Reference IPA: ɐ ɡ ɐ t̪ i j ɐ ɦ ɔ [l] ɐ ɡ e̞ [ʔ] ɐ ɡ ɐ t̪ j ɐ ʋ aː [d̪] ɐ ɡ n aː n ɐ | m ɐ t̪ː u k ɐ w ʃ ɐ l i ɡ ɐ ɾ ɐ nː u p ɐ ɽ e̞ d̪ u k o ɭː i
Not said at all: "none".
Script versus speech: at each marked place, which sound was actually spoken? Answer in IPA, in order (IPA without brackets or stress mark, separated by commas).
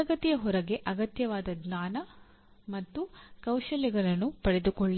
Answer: ɾ, ʔ, d̪